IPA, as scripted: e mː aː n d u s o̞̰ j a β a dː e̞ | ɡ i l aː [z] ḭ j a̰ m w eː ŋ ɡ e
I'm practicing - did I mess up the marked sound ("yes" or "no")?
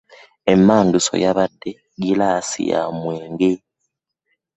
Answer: yes